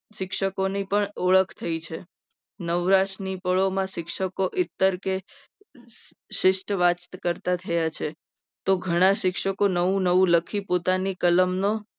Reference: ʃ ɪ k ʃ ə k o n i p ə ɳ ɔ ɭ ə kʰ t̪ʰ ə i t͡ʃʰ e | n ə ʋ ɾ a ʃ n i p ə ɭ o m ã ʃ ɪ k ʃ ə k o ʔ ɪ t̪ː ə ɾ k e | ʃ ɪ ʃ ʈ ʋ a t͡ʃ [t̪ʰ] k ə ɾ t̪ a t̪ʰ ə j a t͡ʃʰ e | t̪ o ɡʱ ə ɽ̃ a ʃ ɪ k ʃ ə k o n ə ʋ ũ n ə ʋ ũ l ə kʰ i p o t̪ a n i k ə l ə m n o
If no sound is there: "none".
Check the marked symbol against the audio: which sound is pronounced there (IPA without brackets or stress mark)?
t̪